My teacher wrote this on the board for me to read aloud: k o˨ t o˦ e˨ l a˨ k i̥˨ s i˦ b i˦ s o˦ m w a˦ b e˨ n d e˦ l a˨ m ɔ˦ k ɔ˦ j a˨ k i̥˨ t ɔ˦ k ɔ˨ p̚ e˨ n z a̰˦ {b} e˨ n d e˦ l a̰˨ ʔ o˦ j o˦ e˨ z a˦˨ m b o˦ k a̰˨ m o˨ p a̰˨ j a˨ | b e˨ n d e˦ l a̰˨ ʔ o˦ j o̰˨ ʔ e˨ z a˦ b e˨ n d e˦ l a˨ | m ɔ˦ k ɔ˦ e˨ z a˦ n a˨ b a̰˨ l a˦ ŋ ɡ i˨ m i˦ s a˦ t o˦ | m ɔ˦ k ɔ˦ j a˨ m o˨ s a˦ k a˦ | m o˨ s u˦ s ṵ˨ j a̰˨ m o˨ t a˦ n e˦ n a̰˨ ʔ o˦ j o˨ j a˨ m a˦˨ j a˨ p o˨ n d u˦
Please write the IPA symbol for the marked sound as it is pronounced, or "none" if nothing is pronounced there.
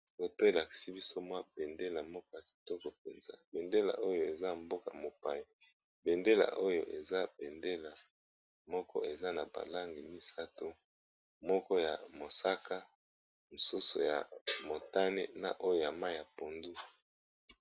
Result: b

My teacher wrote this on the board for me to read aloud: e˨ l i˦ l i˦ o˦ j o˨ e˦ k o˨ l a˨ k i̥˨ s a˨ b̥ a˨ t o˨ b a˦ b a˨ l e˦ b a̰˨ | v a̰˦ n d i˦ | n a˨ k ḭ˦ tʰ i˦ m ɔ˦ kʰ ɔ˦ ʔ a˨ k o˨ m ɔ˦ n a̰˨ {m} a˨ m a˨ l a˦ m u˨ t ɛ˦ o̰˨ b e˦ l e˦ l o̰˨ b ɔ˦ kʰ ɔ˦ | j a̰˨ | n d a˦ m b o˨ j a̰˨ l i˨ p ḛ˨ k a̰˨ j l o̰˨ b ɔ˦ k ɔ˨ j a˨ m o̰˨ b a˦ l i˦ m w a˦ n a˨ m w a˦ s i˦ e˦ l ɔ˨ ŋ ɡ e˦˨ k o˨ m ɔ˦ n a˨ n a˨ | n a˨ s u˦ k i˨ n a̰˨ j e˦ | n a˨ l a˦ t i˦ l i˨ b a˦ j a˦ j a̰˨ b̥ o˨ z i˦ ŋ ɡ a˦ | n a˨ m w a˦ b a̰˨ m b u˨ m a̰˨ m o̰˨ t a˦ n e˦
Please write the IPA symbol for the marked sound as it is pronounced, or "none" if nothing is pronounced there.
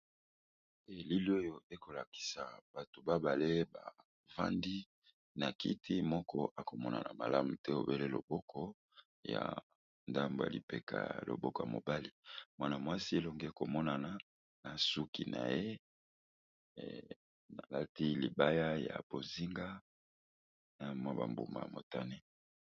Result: n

